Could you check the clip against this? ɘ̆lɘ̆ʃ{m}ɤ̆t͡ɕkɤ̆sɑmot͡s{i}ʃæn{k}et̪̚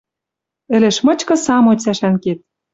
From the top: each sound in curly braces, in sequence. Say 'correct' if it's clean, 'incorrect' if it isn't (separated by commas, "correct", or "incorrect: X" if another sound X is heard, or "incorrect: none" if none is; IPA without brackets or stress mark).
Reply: correct, incorrect: æ, correct